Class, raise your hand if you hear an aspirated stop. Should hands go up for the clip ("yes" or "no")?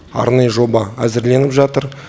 no